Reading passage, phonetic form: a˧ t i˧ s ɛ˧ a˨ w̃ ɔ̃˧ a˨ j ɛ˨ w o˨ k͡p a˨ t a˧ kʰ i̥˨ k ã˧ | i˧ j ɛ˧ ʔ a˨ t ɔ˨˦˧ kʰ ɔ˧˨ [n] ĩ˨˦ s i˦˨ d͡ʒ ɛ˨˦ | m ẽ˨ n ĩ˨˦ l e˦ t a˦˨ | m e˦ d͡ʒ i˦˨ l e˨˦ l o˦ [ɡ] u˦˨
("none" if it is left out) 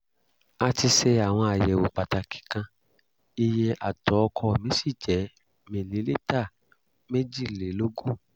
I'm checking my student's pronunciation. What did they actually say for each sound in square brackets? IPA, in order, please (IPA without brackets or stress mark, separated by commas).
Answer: m, ɡ